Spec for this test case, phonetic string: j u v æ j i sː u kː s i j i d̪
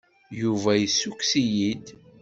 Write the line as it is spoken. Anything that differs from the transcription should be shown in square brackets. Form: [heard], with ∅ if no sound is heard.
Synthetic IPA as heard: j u v æ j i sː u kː s i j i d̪